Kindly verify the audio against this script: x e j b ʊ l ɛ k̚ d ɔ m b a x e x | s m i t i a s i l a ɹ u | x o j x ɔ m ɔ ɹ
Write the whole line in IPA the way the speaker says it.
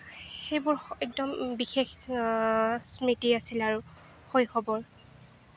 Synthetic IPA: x e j b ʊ ɹ ɛ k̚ d ɔ m b i x e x | s m i t i a s i l a ɹ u | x o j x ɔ b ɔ ɹ